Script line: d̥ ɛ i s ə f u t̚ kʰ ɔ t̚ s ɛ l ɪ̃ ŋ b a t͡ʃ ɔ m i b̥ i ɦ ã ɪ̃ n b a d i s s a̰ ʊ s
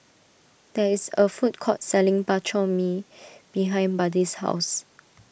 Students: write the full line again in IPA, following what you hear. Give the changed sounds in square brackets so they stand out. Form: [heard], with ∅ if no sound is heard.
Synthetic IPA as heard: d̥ ɛ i s ə f u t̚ kʰ ɔ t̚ s ɛ l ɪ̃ ŋ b a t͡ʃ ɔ m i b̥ i ɦ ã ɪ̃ n b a d i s [h] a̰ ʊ s